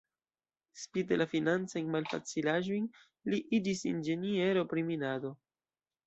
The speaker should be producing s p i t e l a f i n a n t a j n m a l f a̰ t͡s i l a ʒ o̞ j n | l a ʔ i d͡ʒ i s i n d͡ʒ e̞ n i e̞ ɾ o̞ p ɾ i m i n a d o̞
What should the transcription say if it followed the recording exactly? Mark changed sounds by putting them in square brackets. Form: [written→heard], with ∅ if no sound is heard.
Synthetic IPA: s p i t e l a f i n a n [t→t͡s] a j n m a l f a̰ t͡s i l a ʒ o̞ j n | l [a→i] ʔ i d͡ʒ i s i n d͡ʒ e̞ n i e̞ ɾ o̞ p ɾ i m i n a d o̞